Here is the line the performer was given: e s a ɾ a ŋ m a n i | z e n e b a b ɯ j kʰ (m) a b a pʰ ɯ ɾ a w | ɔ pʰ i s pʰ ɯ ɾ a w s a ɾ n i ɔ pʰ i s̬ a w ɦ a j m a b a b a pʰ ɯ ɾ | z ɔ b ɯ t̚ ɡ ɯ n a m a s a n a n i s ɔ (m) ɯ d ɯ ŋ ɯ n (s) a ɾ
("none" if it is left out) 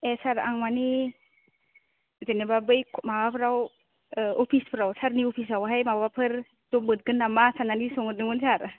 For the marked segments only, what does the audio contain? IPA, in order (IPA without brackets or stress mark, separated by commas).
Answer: m, ŋ, s